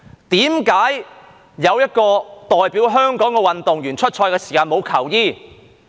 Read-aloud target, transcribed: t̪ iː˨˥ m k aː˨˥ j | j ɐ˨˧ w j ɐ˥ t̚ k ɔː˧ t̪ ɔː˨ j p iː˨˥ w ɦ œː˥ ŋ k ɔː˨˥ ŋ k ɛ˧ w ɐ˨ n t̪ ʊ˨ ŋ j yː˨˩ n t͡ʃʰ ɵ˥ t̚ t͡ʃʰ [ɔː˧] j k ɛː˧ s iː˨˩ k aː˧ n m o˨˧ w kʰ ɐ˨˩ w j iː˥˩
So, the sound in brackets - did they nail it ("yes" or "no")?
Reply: yes